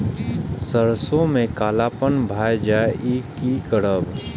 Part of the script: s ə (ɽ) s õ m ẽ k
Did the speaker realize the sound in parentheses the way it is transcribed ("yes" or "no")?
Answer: no